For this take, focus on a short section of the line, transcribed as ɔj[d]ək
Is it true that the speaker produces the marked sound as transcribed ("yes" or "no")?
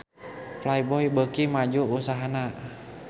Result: no